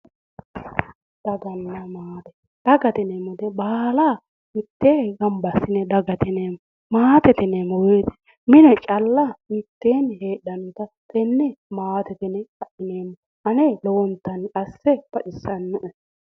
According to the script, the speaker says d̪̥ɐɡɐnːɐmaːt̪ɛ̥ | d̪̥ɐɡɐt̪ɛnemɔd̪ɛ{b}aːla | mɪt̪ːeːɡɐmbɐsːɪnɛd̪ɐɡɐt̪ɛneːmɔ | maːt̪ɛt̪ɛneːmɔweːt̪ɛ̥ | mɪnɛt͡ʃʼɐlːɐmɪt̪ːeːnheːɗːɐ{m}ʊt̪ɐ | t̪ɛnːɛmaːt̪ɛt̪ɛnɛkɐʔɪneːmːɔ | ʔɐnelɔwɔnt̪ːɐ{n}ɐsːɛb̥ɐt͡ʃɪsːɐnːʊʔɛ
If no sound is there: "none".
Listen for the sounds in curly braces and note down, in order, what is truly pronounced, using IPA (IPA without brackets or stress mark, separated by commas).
b, n, n